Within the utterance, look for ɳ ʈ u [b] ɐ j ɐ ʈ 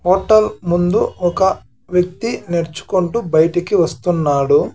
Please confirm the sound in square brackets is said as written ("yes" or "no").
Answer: yes